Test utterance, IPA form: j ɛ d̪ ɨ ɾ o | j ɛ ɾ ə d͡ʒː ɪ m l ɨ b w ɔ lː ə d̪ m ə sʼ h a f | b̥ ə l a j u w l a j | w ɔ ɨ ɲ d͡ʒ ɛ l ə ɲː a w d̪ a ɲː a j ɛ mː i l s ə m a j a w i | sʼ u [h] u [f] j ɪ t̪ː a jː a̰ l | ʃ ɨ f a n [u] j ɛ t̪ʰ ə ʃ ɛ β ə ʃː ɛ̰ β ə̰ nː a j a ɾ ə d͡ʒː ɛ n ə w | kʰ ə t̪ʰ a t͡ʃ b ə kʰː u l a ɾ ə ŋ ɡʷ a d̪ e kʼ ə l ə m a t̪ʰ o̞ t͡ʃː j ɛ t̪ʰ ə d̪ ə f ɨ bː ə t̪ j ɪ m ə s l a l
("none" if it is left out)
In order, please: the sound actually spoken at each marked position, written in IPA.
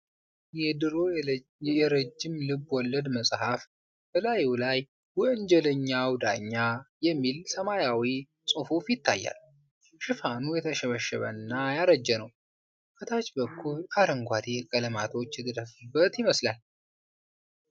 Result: f, f, u

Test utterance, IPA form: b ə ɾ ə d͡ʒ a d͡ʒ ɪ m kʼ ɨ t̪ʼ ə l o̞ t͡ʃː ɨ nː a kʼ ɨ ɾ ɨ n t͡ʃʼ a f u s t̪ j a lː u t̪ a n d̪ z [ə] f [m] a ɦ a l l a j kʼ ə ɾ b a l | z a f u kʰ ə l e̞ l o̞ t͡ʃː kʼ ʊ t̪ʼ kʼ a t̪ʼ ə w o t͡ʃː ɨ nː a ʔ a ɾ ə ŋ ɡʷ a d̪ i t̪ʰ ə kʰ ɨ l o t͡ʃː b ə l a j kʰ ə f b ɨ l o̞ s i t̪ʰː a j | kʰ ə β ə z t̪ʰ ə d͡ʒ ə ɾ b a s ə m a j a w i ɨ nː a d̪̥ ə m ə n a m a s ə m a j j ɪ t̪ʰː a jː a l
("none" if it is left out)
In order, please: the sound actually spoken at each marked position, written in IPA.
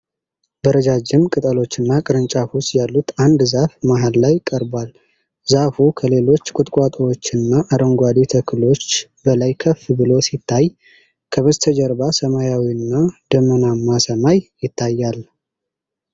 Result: a, m

